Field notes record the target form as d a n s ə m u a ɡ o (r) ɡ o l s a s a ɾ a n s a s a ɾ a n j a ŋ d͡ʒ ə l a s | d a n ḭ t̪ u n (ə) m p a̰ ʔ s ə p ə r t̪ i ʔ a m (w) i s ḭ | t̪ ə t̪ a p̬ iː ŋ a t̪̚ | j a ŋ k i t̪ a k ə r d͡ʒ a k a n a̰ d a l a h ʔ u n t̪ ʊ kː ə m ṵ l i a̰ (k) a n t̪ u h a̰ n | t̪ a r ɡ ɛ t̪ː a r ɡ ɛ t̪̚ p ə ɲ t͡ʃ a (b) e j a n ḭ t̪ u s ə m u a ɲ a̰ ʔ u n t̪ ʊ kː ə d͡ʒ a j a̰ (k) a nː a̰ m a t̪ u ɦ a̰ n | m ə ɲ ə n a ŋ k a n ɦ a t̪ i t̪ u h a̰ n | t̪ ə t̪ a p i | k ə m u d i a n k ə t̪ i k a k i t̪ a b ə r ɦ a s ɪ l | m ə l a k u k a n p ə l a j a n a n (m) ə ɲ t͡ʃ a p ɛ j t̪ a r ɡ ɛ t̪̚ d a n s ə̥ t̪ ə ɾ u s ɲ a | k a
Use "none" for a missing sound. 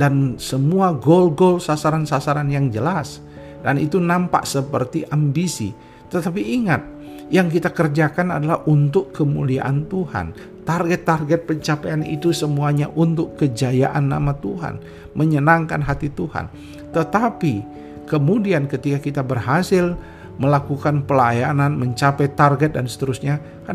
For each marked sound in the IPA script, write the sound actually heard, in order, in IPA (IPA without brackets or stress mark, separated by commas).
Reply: l, a, b, ʔ, p, ʔ, m